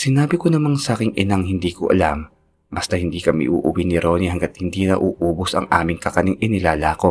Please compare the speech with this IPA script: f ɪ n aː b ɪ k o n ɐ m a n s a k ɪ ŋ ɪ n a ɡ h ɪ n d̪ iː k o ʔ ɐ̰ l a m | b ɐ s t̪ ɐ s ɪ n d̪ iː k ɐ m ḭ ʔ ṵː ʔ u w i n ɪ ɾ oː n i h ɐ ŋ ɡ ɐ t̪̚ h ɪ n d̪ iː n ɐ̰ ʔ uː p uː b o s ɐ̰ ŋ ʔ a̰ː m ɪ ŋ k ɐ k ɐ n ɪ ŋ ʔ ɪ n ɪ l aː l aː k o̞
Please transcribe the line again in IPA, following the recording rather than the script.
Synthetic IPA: s ɪ n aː b ɪ k o n ɐ m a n s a k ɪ ŋ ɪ n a ŋ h ɪ n d̪ iː k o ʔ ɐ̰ l a m | b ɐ s t̪ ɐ h ɪ n d̪ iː k ɐ m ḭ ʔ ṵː ʔ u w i n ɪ ɾ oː n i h ɐ ŋ ɡ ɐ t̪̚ h ɪ n d̪ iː n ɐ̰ ʔ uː ʔ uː b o s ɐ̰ ŋ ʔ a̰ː m ɪ ŋ k ɐ k ɐ n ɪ ŋ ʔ ɪ n ɪ l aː l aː k o̞